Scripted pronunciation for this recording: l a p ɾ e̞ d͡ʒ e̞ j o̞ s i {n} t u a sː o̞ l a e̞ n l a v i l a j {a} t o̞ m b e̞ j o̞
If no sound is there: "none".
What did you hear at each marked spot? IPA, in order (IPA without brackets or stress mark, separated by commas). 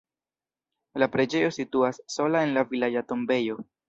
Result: none, a